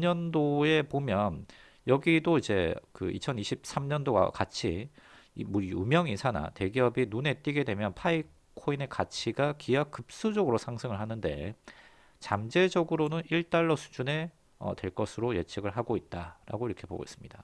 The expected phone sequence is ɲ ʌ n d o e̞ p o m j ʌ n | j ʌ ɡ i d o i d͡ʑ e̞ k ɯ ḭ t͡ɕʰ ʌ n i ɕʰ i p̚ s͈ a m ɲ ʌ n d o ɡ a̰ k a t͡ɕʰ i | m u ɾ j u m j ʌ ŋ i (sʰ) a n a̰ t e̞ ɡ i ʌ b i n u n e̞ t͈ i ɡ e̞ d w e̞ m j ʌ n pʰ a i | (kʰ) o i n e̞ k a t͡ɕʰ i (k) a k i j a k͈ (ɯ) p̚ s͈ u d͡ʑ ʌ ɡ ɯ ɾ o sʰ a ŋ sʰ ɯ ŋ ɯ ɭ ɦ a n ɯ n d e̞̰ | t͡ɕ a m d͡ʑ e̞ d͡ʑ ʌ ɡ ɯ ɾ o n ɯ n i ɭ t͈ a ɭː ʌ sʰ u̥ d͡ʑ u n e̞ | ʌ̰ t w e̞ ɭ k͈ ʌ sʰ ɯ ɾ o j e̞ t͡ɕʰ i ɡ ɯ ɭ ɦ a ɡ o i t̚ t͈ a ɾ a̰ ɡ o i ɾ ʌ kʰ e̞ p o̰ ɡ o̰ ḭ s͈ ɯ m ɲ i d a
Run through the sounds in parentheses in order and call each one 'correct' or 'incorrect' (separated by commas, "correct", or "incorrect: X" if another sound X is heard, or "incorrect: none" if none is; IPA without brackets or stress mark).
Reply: correct, correct, incorrect: ɡ, correct